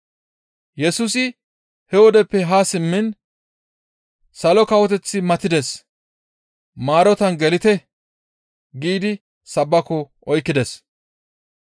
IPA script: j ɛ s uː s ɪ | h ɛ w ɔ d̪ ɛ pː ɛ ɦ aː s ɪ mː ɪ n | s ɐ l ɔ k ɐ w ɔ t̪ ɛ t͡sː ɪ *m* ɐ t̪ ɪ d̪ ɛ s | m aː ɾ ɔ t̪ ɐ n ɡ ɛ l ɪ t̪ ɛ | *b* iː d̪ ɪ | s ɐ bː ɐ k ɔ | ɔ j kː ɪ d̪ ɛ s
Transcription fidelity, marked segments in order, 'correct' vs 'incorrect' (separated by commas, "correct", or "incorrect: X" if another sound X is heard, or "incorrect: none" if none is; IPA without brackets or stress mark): correct, incorrect: ɡ